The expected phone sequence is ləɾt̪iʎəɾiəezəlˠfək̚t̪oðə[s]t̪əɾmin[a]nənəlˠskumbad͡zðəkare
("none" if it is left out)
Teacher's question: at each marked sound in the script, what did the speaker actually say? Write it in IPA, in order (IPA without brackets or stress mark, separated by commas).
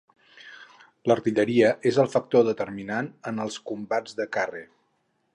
none, a